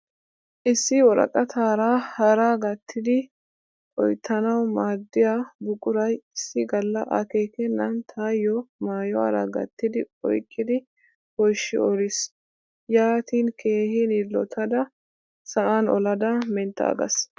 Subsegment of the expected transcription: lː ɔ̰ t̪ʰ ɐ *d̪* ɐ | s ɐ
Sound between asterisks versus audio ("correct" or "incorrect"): correct